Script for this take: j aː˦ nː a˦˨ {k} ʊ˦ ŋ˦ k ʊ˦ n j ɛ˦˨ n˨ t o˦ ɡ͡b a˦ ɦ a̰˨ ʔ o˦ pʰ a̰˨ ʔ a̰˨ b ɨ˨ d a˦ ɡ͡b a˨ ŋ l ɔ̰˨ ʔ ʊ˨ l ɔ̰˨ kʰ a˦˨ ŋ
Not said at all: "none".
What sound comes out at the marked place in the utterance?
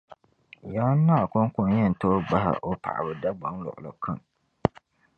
k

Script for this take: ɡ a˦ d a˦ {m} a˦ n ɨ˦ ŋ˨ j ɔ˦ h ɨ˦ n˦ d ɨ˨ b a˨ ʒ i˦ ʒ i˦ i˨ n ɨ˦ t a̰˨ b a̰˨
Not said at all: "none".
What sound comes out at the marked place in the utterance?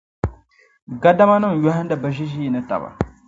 m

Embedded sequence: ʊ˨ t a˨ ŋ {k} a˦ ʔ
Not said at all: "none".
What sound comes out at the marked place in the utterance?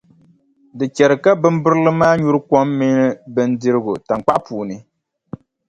k͡p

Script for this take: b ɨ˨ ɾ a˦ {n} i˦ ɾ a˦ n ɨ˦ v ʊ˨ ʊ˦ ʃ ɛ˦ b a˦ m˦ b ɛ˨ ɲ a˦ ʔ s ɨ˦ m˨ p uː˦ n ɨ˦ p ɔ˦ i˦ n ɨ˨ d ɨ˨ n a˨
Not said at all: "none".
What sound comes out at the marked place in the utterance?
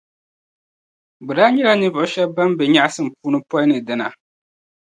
ɲ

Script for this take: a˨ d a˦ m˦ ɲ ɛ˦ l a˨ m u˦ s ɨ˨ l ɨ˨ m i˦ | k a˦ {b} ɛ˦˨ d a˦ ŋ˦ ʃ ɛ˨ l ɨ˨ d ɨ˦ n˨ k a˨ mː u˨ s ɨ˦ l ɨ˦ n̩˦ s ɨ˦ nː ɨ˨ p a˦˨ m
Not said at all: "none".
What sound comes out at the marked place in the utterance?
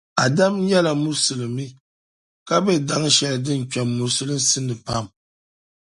b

